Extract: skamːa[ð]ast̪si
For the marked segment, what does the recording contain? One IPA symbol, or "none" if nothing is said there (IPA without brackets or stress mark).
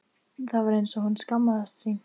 ð